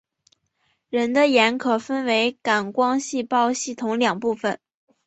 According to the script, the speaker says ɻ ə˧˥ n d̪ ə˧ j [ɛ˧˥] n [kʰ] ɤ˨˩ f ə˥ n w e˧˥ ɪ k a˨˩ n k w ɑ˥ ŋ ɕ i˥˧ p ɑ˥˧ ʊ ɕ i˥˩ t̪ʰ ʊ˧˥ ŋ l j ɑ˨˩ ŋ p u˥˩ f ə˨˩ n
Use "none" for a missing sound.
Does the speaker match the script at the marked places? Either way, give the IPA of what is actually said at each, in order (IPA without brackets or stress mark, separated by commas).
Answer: ɛ˧˥, kʰ